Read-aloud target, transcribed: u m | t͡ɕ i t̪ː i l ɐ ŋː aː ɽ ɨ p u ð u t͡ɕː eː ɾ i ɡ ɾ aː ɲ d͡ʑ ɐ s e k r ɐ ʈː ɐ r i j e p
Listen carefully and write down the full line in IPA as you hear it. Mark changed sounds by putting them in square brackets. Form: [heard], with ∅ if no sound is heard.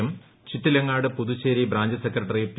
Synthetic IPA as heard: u m | t͡ɕ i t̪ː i l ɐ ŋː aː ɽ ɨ p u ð u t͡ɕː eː ɾ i [b] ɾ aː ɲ d͡ʑ ɐ s e k r ɐ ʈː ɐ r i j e p